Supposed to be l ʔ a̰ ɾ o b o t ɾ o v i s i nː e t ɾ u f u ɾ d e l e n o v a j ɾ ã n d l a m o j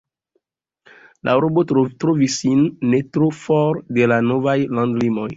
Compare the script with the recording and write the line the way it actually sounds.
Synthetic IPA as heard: l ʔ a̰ ɾ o b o t ɾ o v i s i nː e t ɾ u f ɔ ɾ d e l a n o v a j l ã n d l i m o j